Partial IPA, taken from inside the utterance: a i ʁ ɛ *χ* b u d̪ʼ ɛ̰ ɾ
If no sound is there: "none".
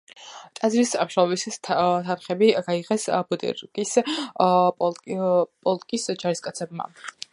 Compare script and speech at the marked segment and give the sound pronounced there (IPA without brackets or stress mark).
s